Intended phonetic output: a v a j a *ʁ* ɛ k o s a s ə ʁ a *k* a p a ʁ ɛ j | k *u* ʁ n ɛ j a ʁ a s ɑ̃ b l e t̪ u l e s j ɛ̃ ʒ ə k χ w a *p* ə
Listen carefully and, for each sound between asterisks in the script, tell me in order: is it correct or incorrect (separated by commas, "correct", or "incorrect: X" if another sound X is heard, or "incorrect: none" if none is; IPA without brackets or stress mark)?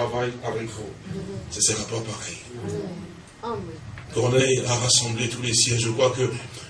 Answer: incorrect: v, incorrect: p, incorrect: ɔ, incorrect: k